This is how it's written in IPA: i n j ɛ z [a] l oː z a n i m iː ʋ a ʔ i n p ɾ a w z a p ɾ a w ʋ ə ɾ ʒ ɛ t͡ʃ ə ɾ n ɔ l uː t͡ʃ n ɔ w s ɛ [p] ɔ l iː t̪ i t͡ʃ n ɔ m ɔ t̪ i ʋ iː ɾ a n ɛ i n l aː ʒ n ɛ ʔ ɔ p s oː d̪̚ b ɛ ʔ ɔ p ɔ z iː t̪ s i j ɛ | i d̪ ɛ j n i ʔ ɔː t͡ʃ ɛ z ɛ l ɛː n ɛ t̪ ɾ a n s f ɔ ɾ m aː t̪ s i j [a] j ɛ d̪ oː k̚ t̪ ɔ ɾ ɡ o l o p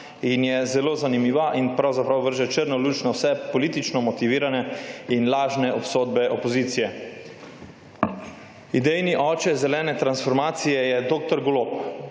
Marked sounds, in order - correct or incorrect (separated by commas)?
incorrect, correct, incorrect